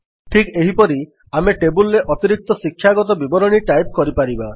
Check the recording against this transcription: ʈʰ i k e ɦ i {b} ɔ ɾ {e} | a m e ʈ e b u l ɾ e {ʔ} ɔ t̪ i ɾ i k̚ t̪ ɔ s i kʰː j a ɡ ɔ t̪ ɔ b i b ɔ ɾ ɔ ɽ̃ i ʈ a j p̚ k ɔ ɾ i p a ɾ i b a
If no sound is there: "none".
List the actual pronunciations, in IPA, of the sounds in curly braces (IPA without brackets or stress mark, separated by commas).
p, i, ʔ